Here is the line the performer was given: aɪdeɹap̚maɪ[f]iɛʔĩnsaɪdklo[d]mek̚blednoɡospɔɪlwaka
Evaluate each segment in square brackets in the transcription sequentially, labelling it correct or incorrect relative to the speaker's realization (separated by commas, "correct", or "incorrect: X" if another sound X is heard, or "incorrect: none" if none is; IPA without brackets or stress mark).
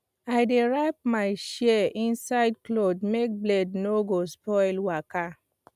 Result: incorrect: ʃ, correct